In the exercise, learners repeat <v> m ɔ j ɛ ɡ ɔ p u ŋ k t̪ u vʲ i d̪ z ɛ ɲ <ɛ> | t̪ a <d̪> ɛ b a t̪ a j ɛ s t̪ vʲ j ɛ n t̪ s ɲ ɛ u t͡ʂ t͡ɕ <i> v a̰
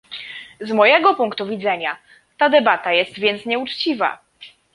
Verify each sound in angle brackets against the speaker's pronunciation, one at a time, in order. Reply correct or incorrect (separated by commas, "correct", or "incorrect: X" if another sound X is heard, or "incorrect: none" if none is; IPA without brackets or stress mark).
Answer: incorrect: z, incorrect: a, correct, correct